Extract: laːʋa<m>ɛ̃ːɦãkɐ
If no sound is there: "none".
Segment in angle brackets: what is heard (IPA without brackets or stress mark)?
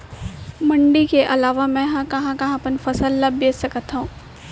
m